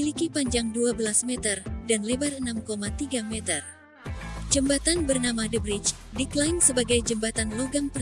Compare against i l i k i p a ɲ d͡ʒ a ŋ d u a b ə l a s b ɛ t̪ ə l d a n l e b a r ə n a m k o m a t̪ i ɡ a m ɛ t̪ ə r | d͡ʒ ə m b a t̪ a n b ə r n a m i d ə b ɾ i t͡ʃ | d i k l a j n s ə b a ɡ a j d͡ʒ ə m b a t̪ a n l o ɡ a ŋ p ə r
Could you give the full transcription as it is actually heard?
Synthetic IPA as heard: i l i k i p a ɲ d͡ʒ a ŋ d u a b ə l a s m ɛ t̪ ə r d a n l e b a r ə n a m k o m a t̪ i ɡ a m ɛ t̪ ə r | d͡ʒ ə m b a t̪ a n b ə r n a m a d ə b ɾ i t͡ʃ | d i k l a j n s ə b a ɡ a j d͡ʒ ə m b a t̪ a n l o ɡ a ŋ p ə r